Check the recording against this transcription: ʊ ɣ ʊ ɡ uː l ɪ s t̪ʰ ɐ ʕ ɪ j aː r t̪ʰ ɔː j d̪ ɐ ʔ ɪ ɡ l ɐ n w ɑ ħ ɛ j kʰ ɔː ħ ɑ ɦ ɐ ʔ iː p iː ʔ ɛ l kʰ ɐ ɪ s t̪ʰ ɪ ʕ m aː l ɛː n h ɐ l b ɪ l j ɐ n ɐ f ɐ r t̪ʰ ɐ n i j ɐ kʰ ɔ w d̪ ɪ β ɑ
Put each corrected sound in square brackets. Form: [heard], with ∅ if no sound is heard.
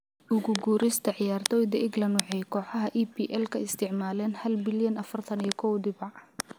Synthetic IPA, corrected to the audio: ʊ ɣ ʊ ɡ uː [ɾ] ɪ s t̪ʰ ɐ ʕ ɪ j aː r t̪ʰ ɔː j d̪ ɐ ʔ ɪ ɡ l ɐ n w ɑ ħ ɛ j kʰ ɔː ħ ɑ ɦ ɐ ʔ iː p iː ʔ ɛ l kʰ ɐ ɪ s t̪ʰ ɪ ʕ m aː l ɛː n h ɐ l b ɪ l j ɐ n ɐ f ɐ r t̪ʰ ɐ n i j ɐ kʰ ɔ w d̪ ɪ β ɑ